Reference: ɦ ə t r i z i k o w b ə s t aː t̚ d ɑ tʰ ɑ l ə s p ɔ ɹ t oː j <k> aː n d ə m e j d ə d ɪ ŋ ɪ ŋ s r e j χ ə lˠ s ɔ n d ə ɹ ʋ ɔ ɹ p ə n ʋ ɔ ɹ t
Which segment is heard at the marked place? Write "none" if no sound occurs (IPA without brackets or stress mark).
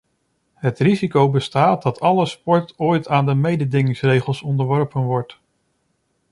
t